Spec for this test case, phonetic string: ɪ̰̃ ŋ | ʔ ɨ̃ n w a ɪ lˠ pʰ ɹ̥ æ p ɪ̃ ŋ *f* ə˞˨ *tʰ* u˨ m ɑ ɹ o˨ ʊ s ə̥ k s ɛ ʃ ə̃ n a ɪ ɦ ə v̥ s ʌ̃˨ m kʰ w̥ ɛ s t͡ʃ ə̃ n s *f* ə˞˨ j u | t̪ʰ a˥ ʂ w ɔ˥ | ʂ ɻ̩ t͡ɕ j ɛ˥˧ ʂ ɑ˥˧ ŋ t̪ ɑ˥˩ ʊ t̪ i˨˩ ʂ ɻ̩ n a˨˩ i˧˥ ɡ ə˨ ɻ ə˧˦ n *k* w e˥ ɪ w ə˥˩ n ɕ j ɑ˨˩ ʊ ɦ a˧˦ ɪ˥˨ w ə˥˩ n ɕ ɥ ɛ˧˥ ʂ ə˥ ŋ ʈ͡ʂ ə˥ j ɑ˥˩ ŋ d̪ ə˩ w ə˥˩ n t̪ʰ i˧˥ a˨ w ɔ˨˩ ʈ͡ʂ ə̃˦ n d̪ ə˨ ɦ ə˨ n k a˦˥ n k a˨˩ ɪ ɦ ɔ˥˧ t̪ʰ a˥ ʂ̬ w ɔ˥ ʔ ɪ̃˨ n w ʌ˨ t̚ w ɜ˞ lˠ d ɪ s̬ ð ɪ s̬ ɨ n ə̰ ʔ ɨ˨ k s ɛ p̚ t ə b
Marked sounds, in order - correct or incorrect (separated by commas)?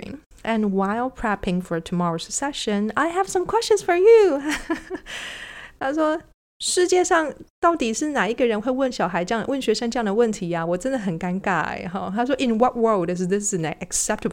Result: correct, correct, correct, incorrect